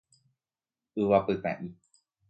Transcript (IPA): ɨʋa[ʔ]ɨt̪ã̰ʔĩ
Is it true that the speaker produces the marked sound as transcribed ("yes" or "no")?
no